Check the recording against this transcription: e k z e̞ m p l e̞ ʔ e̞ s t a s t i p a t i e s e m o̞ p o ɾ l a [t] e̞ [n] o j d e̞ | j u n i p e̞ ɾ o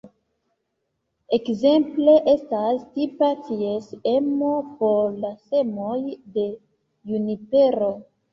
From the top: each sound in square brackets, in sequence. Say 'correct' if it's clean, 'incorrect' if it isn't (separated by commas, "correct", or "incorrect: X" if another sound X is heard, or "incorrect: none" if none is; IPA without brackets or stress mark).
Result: incorrect: s, incorrect: m